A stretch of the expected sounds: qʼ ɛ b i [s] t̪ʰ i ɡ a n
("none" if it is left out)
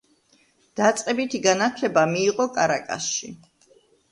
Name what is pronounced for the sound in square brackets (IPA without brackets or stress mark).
none